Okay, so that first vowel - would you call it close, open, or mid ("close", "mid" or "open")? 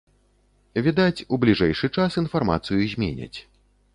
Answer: close